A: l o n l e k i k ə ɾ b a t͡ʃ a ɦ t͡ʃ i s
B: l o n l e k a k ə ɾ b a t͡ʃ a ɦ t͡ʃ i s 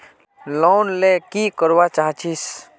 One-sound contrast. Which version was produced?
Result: A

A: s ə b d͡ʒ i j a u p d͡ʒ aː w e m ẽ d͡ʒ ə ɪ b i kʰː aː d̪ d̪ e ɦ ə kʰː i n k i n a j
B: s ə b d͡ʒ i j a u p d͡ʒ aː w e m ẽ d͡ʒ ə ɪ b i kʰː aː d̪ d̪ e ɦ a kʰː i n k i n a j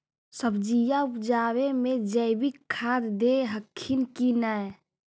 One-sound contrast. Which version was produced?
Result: A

